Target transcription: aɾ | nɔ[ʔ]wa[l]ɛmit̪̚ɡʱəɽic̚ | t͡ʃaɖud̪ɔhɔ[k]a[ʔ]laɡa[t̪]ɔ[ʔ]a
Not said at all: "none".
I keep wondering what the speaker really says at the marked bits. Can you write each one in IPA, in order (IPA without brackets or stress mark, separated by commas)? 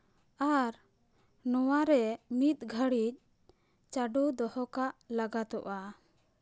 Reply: none, ɾ, k, ʔ, t̪, ʔ